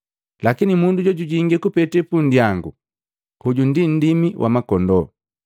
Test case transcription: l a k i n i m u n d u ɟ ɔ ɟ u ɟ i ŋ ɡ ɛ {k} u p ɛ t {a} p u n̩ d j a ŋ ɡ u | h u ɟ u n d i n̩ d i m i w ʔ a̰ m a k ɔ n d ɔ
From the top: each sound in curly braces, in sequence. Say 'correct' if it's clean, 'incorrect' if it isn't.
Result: correct, incorrect

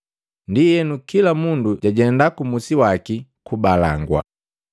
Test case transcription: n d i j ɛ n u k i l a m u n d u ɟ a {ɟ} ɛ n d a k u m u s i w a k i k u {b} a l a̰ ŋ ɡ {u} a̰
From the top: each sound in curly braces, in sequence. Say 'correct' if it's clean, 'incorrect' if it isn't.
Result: correct, correct, incorrect

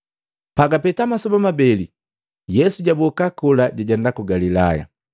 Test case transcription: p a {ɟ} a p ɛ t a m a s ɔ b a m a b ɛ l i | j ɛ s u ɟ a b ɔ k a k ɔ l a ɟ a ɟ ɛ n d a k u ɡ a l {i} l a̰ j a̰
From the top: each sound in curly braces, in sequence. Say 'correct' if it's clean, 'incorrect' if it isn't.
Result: incorrect, correct

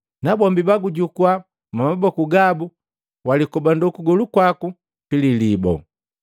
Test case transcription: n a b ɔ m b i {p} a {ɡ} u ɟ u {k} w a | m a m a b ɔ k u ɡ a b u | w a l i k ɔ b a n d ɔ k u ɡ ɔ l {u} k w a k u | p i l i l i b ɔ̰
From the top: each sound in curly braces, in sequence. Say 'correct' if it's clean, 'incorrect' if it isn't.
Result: incorrect, correct, correct, correct

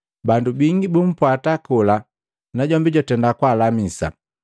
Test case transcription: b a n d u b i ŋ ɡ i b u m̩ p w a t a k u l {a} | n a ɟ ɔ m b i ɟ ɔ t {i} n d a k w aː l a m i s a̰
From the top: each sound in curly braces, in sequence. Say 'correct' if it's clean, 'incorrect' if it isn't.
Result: correct, incorrect

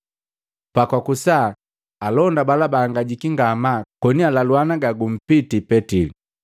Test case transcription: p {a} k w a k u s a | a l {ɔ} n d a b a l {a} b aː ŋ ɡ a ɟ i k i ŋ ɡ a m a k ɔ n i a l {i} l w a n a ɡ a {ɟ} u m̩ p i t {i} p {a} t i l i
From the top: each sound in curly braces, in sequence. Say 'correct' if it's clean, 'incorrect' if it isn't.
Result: correct, correct, correct, incorrect, incorrect, correct, incorrect

